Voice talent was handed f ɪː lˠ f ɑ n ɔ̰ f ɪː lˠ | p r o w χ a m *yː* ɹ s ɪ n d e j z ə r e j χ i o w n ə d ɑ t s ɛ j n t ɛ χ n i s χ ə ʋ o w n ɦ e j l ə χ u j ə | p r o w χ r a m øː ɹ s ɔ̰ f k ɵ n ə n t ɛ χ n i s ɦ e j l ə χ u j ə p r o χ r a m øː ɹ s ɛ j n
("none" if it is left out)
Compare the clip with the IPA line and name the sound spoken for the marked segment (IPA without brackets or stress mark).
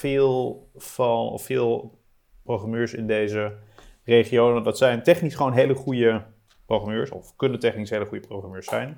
øː